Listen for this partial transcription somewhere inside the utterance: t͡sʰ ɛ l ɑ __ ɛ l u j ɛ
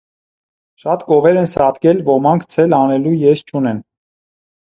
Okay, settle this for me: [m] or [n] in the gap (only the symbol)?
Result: n